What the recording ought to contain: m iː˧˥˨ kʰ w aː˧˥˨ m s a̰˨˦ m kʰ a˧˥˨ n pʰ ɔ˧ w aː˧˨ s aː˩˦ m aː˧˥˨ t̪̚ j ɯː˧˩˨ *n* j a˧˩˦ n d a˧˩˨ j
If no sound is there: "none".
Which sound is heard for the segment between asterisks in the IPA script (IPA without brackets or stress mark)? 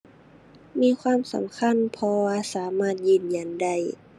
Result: n